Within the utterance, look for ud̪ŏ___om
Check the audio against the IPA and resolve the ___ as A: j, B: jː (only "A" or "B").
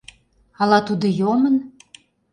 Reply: A